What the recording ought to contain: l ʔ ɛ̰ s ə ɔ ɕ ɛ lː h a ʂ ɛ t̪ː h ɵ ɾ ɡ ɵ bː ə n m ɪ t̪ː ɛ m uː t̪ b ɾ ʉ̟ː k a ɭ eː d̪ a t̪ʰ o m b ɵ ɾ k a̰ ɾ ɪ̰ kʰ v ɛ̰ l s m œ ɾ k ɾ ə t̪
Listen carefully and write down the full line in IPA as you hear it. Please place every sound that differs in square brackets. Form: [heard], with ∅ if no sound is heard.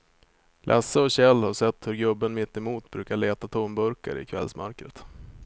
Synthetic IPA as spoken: l ʔ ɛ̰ s ə ɔ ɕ ɛ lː h a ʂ ɛ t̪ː h ɵ ɾ ɡ ɵ bː ə n m ɪ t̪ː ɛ m uː t̪ b ɾ ʉ̟ː k a ɭ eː [t̪] a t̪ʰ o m b ɵ ɾ k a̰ ɾ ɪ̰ kʰ v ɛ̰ l s m œ ɾ k ɾ ə t̪